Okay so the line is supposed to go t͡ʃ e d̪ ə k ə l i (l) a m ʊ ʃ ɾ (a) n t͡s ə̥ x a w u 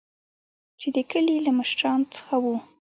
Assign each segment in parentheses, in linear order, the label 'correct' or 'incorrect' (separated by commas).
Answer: correct, incorrect